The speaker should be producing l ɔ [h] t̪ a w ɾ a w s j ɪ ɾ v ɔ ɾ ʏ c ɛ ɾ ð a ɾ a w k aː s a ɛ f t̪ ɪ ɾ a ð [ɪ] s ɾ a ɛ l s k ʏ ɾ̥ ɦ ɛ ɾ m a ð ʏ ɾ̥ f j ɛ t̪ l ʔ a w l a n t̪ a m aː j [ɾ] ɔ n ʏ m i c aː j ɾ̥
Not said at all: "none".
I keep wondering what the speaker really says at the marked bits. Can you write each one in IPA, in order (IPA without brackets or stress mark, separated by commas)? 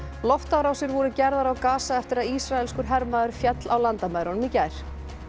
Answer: f, i, ɾ